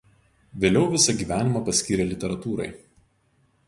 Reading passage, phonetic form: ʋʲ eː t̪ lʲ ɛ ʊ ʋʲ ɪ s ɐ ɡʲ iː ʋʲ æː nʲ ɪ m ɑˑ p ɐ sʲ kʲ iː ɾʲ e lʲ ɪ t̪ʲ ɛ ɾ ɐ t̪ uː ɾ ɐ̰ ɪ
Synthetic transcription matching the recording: ʋʲ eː lʲ ɛ ʊ ʋʲ ɪ s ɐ ɡʲ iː ʋʲ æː nʲ ɪ m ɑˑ p ɐ sʲ kʲ iː ɾʲ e lʲ ɪ t̪ʲ ɛ ɾ ɐ t̪ uː ɾ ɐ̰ ɪ